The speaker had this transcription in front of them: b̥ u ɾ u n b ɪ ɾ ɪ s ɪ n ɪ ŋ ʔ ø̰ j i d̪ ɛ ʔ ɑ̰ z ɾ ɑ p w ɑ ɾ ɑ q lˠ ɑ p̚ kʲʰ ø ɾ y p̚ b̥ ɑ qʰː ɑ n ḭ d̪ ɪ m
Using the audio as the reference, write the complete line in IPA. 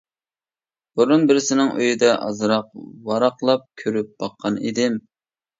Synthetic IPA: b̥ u ɾ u n b ɪ ɾ ɪ s ɪ n ɪ ŋ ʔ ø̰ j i d̪ ɛ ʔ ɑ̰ z ɾ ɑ q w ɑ ɾ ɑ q lˠ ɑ p̚ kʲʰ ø ɾ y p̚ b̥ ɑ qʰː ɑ n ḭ d̪ ɪ m